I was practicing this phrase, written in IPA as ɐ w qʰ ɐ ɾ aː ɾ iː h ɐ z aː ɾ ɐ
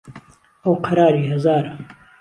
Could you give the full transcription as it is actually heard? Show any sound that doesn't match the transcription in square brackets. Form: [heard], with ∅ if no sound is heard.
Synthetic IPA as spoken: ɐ w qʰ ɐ ɾ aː ɾ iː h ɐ z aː ɾ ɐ